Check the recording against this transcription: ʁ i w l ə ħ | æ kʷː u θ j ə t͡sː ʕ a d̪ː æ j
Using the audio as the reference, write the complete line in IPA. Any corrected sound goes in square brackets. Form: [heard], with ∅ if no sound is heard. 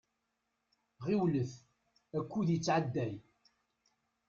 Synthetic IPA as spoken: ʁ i w l ə [θ] | æ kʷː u [ð] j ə t͡sː ʕ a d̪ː æ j